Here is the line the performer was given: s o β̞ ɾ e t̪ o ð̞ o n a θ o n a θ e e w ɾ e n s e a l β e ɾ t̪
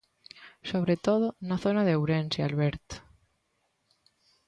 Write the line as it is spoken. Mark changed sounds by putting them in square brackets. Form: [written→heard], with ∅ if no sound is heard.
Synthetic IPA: s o β̞ ɾ e t̪ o ð̞ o n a θ o n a [θ→ð] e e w ɾ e n s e a l β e ɾ t̪